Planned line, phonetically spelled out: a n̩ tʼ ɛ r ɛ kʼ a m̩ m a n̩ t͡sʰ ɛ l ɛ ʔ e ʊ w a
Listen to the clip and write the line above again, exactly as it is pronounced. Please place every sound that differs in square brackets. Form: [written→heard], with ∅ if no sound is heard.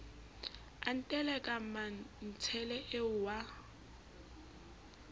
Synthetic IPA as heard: a n̩ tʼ ɛ [r→l] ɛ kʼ a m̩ m a n̩ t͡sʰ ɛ l ɛ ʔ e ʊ w a